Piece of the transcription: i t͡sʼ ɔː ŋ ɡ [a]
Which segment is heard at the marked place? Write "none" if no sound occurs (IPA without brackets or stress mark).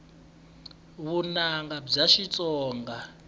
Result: a